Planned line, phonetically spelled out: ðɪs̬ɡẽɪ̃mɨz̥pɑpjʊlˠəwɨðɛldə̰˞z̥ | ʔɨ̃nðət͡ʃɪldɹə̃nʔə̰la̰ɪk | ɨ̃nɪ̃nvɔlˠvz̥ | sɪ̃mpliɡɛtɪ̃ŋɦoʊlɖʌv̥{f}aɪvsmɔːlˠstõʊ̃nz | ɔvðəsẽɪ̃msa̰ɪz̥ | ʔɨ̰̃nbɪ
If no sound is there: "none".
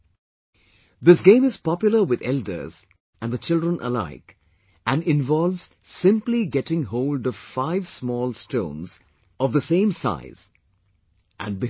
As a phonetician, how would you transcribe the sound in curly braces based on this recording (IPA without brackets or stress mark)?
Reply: f